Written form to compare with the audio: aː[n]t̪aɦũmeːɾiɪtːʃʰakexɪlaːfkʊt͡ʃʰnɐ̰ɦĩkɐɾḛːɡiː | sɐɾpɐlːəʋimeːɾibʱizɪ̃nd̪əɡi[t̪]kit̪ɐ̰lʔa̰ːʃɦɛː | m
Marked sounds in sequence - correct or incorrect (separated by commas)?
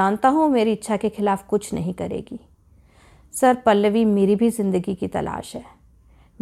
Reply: correct, incorrect